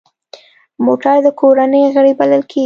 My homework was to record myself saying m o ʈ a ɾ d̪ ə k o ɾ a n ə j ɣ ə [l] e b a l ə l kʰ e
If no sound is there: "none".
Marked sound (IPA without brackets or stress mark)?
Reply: ɽ